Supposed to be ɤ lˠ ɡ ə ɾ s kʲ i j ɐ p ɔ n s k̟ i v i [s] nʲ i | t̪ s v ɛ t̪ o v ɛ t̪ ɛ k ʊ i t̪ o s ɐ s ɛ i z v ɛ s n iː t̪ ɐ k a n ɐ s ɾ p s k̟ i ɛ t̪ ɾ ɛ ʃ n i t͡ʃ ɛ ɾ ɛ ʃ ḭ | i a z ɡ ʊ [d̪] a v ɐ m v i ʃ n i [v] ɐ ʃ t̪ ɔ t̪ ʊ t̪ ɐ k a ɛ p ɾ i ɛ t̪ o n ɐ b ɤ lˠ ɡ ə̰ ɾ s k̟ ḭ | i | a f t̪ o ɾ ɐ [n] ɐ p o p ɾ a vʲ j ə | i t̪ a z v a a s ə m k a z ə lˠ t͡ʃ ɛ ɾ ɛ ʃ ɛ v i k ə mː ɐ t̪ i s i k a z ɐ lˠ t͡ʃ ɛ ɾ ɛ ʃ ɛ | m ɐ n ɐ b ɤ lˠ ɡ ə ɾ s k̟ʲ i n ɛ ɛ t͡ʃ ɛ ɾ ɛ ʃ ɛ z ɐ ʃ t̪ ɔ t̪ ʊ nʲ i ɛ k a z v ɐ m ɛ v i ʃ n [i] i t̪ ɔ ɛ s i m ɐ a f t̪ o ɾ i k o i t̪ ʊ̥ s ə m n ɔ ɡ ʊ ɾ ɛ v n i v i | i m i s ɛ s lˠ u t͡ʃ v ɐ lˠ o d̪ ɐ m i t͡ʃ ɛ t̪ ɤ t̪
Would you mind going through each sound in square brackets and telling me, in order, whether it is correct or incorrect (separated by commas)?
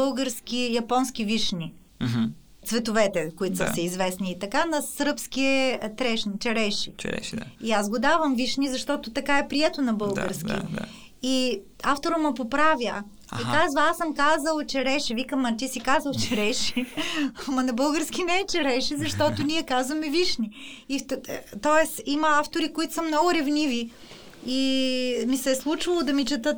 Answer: incorrect, correct, incorrect, incorrect, correct